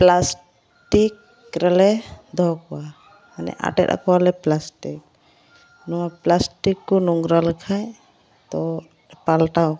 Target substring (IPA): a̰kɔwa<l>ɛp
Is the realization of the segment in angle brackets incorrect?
no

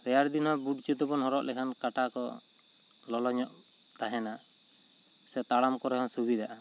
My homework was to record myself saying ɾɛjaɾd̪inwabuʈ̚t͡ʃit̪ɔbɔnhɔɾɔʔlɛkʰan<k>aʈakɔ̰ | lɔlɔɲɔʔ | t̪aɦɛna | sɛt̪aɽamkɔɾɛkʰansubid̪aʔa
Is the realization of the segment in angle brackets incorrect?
no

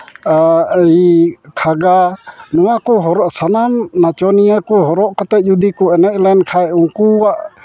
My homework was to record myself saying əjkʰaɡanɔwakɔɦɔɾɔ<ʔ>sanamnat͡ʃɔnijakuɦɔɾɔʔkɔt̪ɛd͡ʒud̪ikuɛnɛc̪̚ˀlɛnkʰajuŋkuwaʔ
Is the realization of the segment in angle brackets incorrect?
no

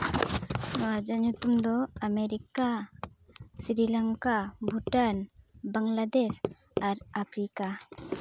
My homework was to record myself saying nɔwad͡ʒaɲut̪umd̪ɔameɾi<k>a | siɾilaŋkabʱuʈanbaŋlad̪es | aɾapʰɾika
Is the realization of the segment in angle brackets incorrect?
no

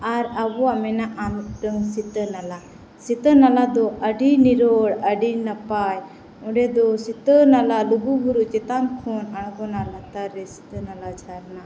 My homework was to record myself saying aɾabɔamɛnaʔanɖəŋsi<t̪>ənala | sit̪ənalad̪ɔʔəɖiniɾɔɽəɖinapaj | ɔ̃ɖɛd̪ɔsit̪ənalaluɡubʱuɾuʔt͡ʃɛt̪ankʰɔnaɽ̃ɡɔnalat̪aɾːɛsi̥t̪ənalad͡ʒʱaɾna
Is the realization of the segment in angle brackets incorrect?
no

